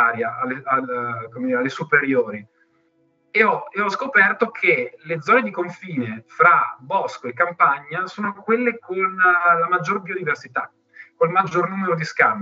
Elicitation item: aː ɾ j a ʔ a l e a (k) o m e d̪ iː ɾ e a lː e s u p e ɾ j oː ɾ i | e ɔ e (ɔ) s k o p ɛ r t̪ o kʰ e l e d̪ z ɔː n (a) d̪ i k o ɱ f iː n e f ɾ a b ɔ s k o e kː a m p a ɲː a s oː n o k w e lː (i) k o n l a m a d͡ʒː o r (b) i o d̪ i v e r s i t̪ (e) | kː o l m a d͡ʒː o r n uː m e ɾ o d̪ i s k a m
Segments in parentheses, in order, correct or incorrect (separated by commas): correct, correct, incorrect, incorrect, correct, incorrect